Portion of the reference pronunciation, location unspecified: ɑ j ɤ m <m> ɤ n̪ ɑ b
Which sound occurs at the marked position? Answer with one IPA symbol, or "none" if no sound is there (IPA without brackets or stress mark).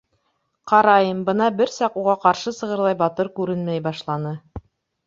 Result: b